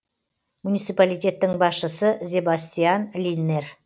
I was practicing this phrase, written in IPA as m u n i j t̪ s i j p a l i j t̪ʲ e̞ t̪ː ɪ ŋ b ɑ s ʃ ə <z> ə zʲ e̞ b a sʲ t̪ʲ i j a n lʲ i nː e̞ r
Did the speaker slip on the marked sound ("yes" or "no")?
yes